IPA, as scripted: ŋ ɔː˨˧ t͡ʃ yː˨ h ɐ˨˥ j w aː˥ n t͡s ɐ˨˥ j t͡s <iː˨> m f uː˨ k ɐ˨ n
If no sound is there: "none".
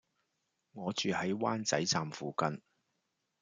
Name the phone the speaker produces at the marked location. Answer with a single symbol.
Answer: aː˨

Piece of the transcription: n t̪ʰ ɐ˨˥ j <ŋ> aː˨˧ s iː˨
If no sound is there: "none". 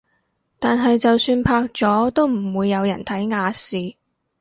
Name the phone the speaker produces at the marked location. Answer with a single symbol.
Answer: ŋ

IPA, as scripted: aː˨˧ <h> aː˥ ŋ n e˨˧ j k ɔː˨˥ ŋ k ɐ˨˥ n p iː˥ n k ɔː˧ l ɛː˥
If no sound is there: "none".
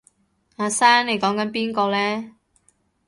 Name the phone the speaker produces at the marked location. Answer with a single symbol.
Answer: s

